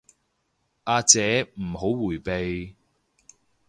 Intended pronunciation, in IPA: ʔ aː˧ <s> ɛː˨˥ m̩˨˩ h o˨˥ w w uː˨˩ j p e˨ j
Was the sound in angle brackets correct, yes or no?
no